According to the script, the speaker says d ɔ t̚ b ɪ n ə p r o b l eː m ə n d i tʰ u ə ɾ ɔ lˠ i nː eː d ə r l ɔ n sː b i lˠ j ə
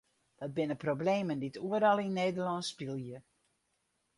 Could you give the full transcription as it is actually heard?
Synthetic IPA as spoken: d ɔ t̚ b ɪ n ə p r o b l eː m ə n d i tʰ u ə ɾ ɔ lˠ i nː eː d ə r l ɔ n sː p i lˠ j ə